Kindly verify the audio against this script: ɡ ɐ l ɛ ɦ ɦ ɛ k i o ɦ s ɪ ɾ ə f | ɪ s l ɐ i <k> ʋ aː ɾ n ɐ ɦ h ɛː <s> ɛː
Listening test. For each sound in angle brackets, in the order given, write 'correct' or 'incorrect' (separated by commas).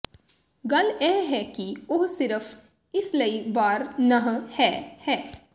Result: incorrect, incorrect